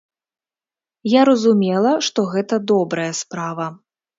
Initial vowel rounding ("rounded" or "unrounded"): unrounded